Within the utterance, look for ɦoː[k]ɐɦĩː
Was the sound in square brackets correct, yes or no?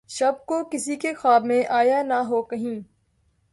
yes